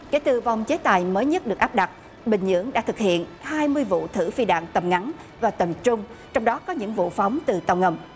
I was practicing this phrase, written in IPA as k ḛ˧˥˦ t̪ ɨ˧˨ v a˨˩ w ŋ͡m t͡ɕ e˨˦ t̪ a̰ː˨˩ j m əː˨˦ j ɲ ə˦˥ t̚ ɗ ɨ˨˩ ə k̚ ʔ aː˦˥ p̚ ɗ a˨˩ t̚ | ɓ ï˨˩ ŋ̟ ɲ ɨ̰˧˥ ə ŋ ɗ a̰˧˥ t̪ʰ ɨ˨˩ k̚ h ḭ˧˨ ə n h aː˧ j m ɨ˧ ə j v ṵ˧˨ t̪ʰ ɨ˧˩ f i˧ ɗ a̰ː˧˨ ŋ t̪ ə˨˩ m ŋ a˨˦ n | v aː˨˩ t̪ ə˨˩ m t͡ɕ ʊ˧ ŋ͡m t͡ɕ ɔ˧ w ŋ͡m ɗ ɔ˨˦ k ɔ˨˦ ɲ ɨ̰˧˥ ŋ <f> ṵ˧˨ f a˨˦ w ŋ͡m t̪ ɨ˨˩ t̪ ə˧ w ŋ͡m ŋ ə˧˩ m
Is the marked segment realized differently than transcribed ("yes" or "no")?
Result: yes